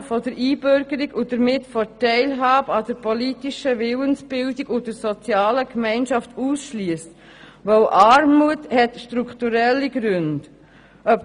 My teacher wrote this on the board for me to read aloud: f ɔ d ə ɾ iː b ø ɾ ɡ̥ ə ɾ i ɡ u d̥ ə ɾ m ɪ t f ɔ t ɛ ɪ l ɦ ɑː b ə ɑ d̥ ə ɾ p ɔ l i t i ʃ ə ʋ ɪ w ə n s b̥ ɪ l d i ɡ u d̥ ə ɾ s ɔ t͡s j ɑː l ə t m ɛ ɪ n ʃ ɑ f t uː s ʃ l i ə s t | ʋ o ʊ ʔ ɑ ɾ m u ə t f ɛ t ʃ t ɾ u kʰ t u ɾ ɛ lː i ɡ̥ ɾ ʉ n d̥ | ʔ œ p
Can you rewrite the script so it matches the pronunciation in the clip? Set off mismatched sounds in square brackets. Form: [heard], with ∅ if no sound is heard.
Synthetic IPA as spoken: f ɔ d ə ɾ iː b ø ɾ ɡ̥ ə ɾ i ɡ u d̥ ə ɾ m ɪ t f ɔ t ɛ ɪ l ɦ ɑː b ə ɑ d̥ ə ɾ p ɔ l i t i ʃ ə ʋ ɪ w ə n s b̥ ɪ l d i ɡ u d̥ ə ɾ s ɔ t͡s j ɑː l ə [k] m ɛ ɪ n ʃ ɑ f t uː s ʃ l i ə s t | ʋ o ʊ ʔ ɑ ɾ m u ə t [h] ɛ t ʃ t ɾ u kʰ t u ɾ ɛ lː i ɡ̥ ɾ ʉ n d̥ | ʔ œ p